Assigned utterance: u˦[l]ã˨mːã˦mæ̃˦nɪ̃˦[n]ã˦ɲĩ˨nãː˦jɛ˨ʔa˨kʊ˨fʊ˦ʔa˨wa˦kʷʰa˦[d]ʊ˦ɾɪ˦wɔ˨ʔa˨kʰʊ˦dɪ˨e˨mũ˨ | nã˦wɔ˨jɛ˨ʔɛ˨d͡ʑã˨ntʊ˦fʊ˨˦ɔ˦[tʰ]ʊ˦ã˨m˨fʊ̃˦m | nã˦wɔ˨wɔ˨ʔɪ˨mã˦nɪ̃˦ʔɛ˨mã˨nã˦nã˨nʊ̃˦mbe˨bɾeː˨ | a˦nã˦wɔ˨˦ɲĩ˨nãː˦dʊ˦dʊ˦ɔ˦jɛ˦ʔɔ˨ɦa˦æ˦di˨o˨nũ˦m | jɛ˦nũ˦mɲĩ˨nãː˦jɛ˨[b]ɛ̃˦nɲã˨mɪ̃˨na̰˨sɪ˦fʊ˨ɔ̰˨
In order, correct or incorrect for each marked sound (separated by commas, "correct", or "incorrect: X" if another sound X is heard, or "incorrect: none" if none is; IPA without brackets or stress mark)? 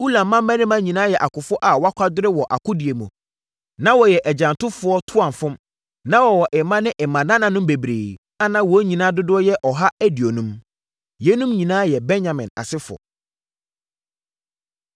correct, incorrect: m, correct, correct, correct